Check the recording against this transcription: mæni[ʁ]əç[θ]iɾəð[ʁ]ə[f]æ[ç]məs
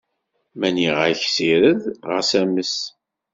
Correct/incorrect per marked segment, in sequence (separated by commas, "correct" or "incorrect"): correct, incorrect, correct, incorrect, incorrect